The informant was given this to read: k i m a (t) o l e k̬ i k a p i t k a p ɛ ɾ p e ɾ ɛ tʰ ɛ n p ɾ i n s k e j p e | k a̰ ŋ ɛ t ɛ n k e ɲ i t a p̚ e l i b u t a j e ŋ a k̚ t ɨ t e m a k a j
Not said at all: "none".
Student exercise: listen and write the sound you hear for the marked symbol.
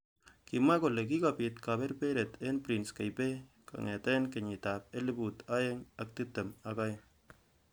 k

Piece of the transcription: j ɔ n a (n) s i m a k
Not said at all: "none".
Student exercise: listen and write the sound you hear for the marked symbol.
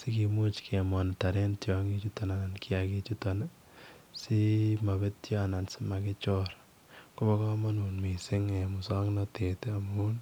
n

